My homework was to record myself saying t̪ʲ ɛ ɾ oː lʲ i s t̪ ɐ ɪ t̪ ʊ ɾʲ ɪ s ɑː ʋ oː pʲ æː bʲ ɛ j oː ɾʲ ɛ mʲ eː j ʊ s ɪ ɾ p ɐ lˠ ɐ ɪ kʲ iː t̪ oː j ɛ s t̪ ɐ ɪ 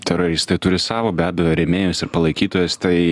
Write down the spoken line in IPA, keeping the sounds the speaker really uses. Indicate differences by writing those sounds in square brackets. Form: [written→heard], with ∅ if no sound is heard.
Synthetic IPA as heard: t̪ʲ ɛ ɾ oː [lʲ→ɾʲ] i s t̪ ɐ ɪ t̪ ʊ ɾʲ ɪ s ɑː ʋ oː [pʲ→bʲ] æː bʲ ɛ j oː ɾʲ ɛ mʲ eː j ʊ s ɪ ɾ p ɐ lˠ ɐ ɪ kʲ iː t̪ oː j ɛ s t̪ ɐ ɪ